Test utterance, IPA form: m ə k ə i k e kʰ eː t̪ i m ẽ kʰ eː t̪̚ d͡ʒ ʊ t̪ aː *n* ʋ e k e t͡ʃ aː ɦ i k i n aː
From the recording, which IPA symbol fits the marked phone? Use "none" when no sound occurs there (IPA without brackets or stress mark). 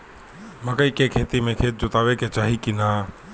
none